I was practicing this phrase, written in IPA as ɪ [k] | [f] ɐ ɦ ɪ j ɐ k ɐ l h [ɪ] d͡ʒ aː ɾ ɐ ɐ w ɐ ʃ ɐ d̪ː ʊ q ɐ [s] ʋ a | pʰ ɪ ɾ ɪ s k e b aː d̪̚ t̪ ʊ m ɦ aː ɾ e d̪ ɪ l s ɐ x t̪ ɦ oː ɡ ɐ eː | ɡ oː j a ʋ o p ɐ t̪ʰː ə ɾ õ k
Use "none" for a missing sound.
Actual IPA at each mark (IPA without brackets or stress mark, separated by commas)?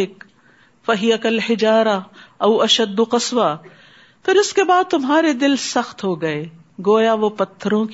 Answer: k, f, ɪ, s